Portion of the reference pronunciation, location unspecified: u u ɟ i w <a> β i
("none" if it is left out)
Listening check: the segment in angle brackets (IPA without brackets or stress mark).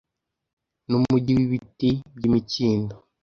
i